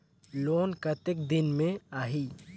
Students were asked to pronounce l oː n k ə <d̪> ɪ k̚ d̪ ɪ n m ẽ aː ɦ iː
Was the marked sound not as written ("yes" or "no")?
yes